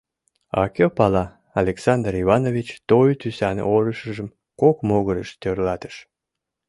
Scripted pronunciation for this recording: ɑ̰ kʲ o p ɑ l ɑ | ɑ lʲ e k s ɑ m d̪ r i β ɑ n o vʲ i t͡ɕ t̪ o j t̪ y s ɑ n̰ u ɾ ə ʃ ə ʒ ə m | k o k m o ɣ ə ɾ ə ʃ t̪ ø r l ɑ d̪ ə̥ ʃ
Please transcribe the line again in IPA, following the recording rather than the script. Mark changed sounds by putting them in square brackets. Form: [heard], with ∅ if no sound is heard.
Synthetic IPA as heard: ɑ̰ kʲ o p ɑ l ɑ | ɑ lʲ e k s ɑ [n] d̪ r i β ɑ n o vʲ i t͡ɕ t̪ o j t̪ y s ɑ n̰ [o] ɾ ə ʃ ə ʒ ə m | k o k m o ɣ ə ɾ ə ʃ t̪ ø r l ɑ [t̪] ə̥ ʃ

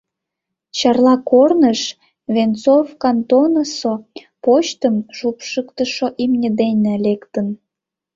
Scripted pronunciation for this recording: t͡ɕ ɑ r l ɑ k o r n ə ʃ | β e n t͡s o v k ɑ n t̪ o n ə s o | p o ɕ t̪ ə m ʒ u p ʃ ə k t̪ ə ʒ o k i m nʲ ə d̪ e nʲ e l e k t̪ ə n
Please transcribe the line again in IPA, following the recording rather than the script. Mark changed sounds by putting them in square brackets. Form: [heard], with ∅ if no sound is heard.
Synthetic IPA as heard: t͡ɕ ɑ r l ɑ k o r n ə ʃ | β e n t͡s o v k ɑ n t̪ o n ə s o | p o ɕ t̪ ə m ʒ u p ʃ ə k t̪ ə [ʃ] o [ʔ] i m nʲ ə d̪ e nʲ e l e k t̪ ə n

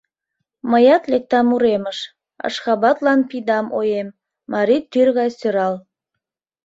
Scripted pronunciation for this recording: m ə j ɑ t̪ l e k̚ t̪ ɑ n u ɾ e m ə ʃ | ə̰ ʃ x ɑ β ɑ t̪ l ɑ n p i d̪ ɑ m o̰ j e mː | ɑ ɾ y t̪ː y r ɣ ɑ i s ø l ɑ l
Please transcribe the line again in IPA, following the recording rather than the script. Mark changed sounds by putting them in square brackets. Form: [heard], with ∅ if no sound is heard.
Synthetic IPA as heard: m ə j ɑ t̪ l e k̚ t̪ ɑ [m] u ɾ e m ə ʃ | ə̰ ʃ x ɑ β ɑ t̪ l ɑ n p i d̪ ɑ m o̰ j e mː | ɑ ɾ [i] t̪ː y r ɣ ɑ [j] s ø [ɾ] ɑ l

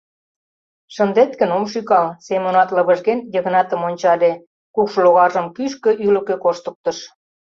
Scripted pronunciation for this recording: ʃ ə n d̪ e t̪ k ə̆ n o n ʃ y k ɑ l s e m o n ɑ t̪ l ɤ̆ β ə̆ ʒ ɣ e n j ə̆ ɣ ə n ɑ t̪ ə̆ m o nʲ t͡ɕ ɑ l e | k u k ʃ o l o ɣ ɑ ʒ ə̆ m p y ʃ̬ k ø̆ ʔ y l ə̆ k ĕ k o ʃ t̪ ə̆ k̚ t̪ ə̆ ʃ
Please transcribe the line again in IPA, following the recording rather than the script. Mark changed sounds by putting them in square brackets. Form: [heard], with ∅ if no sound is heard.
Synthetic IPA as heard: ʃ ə n d̪ e t̪ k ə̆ n o [m] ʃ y k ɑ l s e m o n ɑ t̪ l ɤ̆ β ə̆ ʒ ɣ e n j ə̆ ɣ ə n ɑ t̪ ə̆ m o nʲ t͡ɕ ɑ l e | k u k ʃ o l o ɣ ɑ ʒ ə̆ m [k] y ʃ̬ k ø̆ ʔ y l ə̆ k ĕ k o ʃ t̪ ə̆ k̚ t̪ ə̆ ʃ

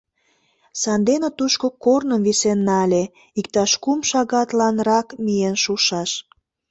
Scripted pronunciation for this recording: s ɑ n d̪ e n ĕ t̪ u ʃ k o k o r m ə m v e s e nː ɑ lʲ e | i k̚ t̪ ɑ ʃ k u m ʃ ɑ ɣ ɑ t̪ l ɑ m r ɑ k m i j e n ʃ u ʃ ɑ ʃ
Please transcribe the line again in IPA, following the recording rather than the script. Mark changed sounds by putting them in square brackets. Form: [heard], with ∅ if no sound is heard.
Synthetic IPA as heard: s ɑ n d̪ e n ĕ t̪ u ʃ k o k o r [n] ə m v [i] s e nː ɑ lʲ e | i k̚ t̪ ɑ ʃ k u m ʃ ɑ ɣ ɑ t̪ l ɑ [n] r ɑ k m i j e n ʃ u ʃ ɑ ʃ

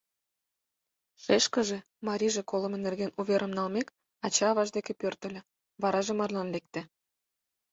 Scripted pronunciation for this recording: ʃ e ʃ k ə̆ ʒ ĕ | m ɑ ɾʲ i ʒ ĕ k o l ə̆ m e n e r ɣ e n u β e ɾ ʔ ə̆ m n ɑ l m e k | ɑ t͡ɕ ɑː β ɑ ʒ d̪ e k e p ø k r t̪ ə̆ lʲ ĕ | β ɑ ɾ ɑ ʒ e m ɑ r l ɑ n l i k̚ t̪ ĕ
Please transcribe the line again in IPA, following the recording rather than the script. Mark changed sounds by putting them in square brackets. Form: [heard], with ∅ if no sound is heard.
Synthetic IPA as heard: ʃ e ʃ k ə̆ ʒ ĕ | m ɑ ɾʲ i ʒ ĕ k o l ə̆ m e n e r ɣ e n u β e ɾ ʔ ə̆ m n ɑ l m e k | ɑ t͡ɕ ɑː β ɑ ʒ d̪ e k e p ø [∅] r t̪ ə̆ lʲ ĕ | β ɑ ɾ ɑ ʒ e m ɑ r l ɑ n l [e] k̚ t̪ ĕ

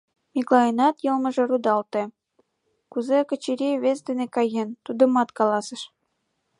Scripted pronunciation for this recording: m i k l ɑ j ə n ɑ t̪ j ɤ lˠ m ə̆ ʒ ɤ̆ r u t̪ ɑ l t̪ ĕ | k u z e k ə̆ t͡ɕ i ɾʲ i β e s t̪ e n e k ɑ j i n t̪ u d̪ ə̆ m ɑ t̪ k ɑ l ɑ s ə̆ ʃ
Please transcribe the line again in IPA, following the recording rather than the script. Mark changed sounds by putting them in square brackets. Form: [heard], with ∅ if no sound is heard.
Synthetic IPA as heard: m i k l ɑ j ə n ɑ t̪ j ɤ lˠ m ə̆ ʒ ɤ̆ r u [d̪] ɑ l t̪ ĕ | k u z e k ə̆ t͡ɕ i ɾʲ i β e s [d̪] e n e k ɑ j [e] n t̪ u d̪ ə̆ m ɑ t̪ k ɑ l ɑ s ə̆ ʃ

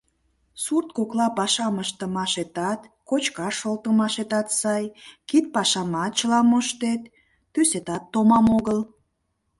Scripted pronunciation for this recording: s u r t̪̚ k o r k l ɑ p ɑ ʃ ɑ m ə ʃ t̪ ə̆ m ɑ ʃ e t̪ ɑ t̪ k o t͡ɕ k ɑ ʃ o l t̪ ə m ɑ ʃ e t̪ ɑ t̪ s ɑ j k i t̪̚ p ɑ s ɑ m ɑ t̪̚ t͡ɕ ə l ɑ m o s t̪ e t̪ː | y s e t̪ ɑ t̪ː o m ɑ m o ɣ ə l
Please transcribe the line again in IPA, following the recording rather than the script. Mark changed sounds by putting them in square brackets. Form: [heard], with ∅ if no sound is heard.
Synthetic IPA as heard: s u r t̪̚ k o [∅] k l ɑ p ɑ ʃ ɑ m ə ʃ t̪ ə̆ m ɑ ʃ e t̪ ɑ t̪ k o t͡ɕ k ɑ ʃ o l t̪ ə m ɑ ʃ e t̪ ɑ t̪ s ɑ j k i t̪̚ p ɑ [ʃ] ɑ m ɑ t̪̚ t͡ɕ ə l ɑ m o [ʃ] t̪ e t̪ː | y s e t̪ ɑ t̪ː o m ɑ m o ɣ ə l

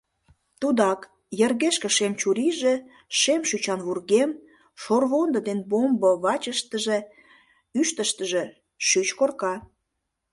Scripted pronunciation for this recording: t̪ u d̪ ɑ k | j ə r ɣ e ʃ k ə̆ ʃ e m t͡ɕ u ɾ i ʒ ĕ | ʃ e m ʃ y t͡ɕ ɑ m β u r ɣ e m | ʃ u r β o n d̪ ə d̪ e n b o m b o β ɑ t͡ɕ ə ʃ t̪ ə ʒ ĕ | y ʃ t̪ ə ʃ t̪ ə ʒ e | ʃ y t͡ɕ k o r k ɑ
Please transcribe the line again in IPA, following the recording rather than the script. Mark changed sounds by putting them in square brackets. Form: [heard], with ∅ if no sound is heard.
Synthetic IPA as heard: t̪ u d̪ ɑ k | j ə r ɣ e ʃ k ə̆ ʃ e m t͡ɕ u ɾ i ʒ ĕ | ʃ e m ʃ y t͡ɕ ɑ [n] β u r ɣ e m | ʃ [o] r β o n d̪ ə d̪ e n b o m b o β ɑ t͡ɕ ə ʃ t̪ ə ʒ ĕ | y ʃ t̪ ə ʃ t̪ ə ʒ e | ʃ y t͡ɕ k o r k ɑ

